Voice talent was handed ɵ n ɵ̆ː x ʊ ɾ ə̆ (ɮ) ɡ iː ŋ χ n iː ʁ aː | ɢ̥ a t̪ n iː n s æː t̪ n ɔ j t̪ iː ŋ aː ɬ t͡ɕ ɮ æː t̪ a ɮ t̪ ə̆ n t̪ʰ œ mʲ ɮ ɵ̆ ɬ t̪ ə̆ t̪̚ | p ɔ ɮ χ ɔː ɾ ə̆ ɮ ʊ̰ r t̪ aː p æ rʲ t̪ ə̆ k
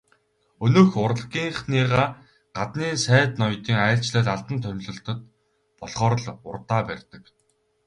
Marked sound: correct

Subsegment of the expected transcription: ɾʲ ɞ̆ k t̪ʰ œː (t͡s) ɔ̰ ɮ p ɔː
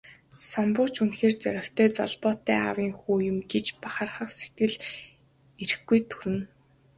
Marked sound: correct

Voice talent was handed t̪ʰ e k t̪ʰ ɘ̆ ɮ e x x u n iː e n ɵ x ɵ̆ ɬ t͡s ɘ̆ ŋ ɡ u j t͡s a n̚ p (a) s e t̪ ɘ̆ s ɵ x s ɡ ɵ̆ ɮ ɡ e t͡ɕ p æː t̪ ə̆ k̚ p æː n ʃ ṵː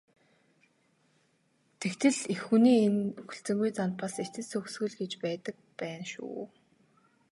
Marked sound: correct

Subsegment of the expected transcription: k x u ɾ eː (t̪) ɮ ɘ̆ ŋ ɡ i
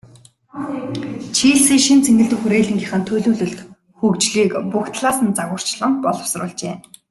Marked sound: incorrect: none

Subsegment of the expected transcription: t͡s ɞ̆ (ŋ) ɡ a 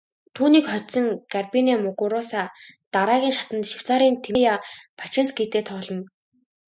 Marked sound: correct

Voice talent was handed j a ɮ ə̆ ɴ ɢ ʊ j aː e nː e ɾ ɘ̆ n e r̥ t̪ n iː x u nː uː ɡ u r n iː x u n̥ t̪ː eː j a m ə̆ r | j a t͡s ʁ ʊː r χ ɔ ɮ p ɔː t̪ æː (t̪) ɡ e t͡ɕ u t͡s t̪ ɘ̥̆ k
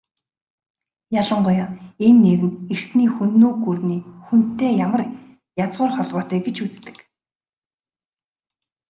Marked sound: incorrect: none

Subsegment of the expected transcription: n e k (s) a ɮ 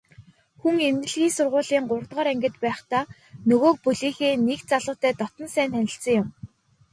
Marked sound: incorrect: t͡s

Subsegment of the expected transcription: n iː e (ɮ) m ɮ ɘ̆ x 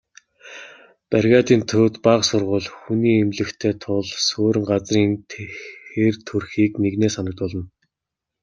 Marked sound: incorrect: none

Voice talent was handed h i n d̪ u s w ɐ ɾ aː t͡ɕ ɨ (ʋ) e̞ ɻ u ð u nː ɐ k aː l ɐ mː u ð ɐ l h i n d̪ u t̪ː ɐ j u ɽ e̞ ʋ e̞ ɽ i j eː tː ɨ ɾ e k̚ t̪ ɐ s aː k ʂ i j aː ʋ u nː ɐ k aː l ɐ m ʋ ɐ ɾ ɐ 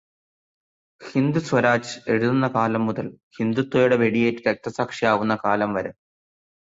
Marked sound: incorrect: none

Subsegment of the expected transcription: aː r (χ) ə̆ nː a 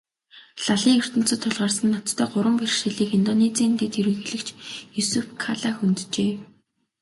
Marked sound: incorrect: s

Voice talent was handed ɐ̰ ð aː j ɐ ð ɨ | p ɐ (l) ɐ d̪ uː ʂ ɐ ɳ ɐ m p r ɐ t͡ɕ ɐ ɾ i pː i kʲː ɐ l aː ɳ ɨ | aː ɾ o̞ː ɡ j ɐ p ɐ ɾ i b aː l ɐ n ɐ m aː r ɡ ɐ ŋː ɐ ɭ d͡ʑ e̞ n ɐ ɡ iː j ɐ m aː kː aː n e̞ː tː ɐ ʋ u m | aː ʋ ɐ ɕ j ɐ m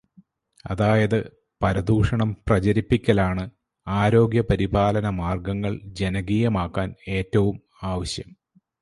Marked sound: incorrect: ɾ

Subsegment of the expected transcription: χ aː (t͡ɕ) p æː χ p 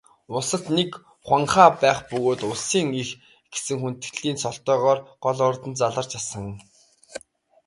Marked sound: incorrect: none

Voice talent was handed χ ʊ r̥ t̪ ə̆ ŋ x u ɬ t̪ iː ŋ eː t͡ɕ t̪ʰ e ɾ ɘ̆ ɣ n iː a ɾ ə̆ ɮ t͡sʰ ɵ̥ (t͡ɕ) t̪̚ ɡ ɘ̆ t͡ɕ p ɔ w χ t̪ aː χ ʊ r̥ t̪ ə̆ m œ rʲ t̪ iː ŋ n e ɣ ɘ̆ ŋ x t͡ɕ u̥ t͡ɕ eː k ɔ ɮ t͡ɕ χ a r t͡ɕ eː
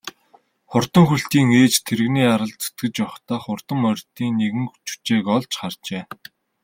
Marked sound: incorrect: none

